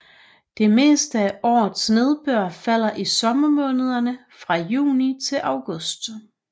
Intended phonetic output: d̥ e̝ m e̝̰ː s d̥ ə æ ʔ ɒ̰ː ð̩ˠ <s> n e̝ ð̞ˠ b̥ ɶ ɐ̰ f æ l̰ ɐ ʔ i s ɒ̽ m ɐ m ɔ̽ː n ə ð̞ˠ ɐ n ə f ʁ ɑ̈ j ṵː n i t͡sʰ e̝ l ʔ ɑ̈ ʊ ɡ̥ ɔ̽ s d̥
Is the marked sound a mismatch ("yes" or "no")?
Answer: no